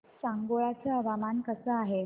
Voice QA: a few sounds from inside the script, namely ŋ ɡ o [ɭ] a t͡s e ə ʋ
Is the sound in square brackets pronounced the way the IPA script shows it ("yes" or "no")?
yes